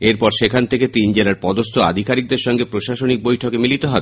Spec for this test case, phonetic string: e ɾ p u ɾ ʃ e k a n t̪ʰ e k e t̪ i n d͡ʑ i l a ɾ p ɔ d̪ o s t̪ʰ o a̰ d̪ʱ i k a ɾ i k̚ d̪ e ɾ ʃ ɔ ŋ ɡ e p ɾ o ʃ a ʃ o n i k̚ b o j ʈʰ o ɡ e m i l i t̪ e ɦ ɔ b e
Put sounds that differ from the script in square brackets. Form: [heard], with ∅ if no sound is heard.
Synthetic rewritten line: e ɾ p [ɔ] ɾ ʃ e [kʰ] a n t̪ʰ e k e t̪ i n d͡ʑ [e] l a ɾ p ɔ d̪ o s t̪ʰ o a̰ d̪ʱ i k a ɾ i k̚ d̪ e ɾ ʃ ɔ ŋ ɡ e p ɾ o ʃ a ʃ o n i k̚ b o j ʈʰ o [k] e m i l i t̪ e ɦ ɔ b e